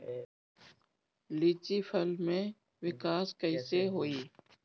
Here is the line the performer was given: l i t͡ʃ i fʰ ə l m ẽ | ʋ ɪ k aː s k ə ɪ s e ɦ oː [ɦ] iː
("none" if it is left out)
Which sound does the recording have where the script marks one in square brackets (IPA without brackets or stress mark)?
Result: none